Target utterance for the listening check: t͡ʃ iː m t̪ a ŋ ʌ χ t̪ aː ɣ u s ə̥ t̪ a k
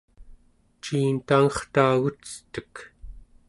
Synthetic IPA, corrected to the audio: t͡ʃ iː n t̪ a ŋ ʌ χ t̪ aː ɣ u t͡s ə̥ t̪ ə k